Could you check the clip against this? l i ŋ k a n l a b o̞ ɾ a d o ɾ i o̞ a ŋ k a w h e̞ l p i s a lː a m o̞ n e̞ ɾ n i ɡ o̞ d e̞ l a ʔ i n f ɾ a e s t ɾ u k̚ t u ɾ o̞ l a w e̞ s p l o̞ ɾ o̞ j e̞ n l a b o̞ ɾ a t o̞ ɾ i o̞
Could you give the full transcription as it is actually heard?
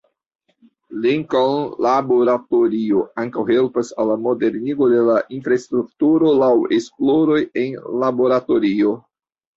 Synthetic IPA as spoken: l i ŋ k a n l a b o̞ ɾ a t o ɾ i o̞ a ŋ k a w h e̞ l p a s a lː a m o̞ d e̞ ɾ n i ɡ o̞ d e̞ l a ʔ i n f ɾ a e s t ɾ u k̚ t u ɾ o̞ l a w e̞ s p l o̞ ɾ o̞ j e̞ n l a b o̞ ɾ a t o̞ ɾ i o̞